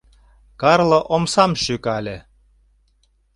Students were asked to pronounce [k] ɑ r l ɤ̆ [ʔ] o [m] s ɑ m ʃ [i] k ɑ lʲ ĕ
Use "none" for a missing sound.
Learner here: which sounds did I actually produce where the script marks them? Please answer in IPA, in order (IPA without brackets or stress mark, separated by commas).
k, ʔ, m, y